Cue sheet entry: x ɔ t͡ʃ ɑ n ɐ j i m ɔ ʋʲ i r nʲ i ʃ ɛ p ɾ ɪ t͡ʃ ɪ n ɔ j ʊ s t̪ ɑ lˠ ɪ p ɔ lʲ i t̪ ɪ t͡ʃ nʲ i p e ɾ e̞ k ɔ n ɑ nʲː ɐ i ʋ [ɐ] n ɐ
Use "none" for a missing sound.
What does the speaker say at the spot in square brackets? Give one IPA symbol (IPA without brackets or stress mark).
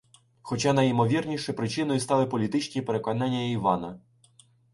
ɑ